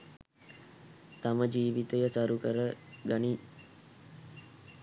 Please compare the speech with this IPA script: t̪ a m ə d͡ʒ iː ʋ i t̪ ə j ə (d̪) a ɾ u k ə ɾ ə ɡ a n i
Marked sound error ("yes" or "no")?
yes